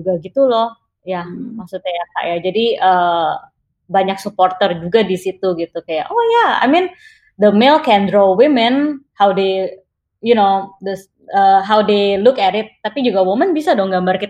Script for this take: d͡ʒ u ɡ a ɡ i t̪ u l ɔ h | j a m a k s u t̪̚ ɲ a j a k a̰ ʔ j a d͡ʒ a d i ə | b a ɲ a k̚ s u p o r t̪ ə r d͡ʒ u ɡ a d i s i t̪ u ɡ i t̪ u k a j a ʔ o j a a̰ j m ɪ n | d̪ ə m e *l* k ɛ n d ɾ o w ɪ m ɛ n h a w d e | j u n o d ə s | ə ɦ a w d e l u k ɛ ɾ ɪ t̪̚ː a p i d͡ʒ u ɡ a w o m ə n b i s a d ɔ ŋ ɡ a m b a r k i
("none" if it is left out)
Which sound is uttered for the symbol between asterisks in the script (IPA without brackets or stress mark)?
l